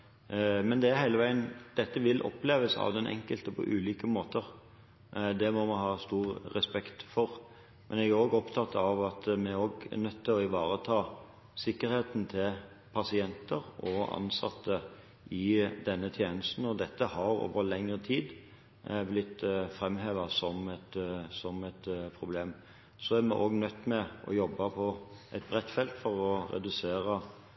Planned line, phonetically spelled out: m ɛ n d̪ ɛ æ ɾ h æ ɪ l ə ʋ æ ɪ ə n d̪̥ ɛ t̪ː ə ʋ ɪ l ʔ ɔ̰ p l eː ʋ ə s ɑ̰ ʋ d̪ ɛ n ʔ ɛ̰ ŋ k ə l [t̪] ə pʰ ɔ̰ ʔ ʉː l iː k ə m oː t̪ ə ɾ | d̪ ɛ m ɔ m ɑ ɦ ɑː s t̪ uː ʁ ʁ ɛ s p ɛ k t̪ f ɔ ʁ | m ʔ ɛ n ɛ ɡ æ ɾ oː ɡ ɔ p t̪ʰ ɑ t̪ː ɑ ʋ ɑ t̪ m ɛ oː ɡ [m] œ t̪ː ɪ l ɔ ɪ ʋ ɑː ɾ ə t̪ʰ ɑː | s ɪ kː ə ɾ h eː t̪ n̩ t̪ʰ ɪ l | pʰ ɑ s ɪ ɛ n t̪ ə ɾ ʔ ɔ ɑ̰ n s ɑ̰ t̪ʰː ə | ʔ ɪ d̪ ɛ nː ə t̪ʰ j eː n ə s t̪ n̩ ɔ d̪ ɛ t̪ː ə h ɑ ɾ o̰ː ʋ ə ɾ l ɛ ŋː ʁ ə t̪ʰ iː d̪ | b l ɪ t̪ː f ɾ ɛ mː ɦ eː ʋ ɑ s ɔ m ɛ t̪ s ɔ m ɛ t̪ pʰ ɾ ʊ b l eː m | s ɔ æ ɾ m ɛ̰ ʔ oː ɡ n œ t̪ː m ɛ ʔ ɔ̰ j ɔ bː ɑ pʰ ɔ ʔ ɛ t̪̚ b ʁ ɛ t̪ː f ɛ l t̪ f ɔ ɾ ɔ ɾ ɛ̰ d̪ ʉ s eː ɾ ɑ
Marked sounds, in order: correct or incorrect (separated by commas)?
correct, incorrect